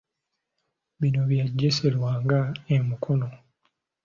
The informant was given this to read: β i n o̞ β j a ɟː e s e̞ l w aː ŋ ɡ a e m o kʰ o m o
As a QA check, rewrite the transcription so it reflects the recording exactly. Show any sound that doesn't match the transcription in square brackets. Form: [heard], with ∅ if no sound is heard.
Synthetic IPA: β i n o̞ β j a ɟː e s e̞ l w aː ŋ ɡ a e m [u] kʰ o [n] o